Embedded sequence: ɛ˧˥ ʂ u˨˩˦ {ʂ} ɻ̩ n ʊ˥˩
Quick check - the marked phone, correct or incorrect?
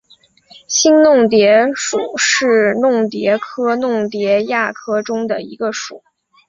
correct